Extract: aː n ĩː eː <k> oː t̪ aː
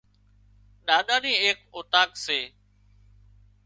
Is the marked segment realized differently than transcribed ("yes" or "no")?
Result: no